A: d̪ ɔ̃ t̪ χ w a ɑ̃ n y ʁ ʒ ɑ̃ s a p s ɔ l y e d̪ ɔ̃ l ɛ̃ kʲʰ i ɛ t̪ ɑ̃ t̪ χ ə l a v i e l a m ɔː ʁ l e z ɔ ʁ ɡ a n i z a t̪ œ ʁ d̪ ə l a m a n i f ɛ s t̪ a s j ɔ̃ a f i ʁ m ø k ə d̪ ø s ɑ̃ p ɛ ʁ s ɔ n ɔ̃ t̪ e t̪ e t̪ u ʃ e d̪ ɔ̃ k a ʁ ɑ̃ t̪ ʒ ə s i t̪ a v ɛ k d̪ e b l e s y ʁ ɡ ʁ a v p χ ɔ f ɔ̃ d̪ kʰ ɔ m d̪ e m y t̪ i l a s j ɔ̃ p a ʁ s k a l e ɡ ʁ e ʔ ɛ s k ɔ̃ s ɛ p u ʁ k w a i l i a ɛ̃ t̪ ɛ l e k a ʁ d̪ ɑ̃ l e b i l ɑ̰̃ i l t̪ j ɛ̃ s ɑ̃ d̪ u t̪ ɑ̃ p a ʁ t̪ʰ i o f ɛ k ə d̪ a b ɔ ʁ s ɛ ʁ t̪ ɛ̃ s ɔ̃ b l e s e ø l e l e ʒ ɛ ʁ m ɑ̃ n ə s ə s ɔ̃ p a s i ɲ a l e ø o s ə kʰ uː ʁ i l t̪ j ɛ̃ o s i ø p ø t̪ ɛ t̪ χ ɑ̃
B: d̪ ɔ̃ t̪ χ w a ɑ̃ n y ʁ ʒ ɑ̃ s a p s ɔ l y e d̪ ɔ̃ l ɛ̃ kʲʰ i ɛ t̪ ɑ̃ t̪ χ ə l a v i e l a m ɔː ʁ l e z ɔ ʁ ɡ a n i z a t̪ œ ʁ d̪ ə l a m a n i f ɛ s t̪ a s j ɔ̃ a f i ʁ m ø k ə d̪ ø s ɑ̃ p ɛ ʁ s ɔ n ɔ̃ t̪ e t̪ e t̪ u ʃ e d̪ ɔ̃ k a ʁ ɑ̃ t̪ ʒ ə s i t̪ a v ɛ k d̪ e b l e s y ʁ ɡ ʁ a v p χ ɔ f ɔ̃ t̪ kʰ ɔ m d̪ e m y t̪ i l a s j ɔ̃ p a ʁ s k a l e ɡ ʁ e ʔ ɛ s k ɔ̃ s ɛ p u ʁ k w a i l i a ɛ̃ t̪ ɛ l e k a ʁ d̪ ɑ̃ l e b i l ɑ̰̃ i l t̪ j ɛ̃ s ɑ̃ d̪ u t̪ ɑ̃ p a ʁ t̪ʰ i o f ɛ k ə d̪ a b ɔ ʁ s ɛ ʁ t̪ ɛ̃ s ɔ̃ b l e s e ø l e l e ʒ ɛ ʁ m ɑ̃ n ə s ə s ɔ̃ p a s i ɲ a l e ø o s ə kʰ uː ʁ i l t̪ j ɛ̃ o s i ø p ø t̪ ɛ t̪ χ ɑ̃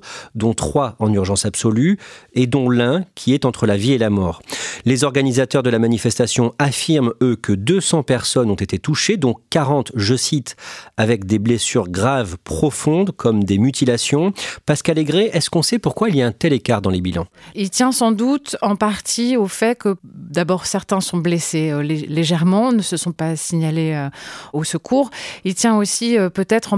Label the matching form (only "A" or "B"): A